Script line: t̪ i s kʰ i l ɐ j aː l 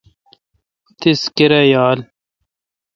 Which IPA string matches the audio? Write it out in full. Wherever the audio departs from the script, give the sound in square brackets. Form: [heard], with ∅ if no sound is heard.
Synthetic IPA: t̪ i s [k] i [ɾ] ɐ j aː l